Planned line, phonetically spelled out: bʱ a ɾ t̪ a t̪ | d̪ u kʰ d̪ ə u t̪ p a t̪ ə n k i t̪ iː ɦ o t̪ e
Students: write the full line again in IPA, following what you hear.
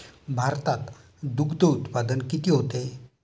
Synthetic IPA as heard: bʱ a ɾ t̪ a t̪ | d̪ u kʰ d̪ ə u t̪ p a d̪ ə n k i t̪ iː ɦ o t̪ e